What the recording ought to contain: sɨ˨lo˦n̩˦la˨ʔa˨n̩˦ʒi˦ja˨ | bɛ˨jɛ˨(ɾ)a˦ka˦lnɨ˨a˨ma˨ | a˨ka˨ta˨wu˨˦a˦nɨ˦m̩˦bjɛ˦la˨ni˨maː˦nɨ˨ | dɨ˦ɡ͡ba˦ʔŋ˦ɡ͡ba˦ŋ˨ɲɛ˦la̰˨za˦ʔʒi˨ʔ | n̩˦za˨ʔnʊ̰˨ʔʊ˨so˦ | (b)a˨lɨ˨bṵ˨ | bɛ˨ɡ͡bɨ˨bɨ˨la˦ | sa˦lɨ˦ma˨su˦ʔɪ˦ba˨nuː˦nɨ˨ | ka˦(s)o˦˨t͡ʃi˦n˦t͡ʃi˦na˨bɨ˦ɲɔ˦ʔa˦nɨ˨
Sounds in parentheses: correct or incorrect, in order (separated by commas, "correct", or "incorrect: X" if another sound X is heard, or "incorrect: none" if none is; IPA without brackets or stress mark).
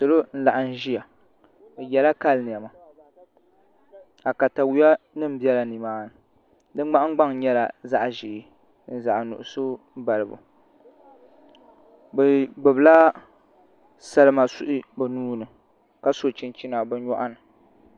incorrect: l, correct, correct